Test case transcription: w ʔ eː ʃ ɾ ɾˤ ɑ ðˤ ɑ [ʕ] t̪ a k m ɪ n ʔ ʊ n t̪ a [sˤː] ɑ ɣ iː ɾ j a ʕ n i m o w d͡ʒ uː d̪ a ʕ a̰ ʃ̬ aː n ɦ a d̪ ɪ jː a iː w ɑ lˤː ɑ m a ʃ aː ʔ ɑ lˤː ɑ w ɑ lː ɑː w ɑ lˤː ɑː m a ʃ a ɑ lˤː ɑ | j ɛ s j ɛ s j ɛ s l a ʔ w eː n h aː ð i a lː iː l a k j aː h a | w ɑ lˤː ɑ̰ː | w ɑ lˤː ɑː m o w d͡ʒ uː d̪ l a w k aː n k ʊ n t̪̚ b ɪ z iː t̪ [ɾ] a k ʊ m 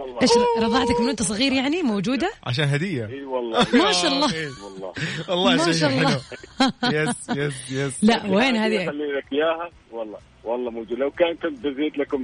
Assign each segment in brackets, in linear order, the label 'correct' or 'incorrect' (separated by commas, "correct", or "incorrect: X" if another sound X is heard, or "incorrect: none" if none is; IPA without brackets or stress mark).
correct, incorrect: sˤ, incorrect: l